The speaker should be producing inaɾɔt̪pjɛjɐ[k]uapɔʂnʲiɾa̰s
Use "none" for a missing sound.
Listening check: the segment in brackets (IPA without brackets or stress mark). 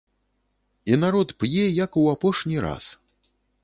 k